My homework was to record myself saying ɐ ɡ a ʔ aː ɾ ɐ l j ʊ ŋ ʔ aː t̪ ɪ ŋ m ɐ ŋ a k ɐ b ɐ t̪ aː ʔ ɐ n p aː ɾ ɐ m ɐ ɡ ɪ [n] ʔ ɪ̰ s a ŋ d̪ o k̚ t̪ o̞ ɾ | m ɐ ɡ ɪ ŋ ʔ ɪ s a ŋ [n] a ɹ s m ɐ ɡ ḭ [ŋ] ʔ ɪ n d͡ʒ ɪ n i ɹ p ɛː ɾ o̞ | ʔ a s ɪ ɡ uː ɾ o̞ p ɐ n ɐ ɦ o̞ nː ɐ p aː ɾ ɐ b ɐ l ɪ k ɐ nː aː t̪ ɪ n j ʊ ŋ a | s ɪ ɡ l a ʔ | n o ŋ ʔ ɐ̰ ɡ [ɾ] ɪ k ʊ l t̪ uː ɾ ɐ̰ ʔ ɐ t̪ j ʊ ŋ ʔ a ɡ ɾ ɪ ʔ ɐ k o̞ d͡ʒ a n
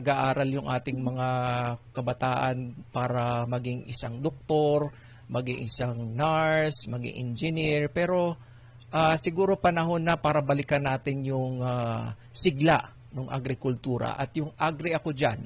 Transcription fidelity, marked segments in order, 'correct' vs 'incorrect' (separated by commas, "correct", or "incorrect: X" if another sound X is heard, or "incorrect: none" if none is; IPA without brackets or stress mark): incorrect: ŋ, correct, correct, correct